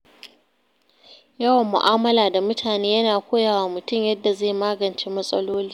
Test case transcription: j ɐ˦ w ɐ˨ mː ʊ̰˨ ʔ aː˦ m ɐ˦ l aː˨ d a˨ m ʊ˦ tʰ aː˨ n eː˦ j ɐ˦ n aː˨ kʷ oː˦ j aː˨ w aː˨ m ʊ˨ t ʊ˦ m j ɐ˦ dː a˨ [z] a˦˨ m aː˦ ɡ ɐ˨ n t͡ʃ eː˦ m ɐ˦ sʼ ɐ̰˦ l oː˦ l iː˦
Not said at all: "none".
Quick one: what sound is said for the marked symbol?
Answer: z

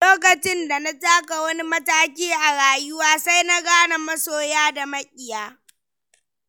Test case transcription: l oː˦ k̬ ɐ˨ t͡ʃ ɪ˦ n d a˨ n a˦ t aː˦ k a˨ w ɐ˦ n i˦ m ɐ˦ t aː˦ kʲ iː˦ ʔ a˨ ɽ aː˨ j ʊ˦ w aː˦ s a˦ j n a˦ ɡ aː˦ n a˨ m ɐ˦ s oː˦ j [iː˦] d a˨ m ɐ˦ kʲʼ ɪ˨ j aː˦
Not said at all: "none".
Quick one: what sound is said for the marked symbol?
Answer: aː˦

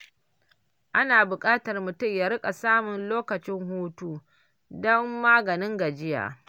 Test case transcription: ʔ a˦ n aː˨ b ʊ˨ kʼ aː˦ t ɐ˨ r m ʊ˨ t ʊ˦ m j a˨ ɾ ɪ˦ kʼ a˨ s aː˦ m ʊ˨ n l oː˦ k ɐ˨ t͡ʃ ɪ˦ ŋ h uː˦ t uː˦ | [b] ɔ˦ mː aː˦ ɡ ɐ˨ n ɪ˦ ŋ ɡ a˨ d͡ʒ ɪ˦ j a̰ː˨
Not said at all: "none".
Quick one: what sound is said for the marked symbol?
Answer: d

